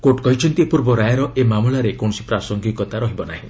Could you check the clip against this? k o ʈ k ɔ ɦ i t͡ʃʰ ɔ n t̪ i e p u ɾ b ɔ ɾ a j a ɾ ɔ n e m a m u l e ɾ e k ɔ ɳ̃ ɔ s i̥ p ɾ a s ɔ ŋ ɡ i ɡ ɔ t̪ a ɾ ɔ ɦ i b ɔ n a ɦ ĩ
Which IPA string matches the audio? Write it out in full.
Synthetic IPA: k o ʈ k ɔ ɦ i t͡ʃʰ ɔ n t̪ i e p u ɾ b ɔ ɾ a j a ɾ ɔ e m a m u l a ɾ e k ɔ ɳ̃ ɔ s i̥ p ɾ a s ɔ ŋ ɡ i k ɔ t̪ a ɾ ɔ ɦ i b ɔ n a ɦ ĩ